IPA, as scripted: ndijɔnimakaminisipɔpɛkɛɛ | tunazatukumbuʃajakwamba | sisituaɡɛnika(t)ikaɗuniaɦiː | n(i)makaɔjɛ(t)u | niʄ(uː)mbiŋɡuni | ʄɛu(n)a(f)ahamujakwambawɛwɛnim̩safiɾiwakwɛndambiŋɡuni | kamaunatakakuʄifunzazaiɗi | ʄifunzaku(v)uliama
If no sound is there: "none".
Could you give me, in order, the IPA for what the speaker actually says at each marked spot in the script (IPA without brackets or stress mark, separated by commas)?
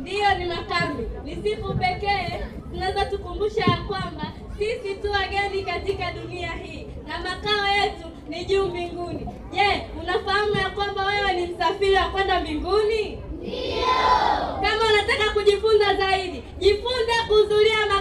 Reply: t, a, t, uː, n, f, z